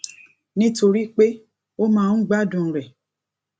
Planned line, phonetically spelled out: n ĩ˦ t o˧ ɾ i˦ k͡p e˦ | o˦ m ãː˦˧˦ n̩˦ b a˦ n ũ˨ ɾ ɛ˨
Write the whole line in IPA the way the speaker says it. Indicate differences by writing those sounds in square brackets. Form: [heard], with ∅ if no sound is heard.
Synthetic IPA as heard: n ĩ˦ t o˧ ɾ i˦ k͡p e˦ | o˦ m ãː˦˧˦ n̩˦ [ɡ͡b] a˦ [d] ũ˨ ɾ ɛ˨